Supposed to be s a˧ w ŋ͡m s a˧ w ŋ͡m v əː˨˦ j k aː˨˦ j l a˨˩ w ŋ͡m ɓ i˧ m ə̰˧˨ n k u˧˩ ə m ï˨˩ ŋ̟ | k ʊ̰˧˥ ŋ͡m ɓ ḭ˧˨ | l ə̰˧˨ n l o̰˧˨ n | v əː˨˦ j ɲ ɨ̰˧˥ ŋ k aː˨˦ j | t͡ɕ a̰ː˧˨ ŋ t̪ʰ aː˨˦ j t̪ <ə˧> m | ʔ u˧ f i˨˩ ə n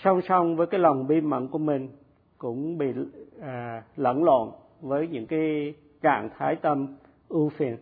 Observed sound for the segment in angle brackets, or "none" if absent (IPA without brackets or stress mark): ə˧